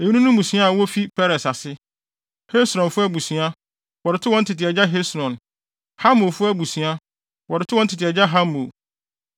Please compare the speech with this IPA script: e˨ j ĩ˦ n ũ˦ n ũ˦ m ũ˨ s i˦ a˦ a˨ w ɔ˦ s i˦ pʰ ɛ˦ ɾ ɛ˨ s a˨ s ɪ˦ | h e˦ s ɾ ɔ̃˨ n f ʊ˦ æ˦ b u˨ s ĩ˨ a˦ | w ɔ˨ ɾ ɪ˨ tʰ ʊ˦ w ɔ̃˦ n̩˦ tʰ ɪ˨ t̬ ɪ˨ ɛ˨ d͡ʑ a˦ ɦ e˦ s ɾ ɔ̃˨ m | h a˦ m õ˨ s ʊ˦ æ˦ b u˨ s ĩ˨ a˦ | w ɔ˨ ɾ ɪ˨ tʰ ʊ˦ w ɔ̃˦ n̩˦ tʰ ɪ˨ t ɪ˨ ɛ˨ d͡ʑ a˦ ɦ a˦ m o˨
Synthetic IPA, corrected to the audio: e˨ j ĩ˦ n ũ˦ n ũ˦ m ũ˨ s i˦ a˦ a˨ w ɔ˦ f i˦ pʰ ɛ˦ ɾ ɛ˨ s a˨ s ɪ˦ | h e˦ s ɾ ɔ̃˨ n f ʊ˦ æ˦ b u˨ s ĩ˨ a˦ | w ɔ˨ ɾ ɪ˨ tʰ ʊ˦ w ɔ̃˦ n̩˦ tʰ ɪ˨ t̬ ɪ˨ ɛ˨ d͡ʑ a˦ ɦ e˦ s ɾ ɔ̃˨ n | h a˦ m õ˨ f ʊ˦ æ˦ b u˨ s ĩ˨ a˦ | w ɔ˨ ɾ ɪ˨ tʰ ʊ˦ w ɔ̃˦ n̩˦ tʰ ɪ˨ t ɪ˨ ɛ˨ d͡ʑ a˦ ɦ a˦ m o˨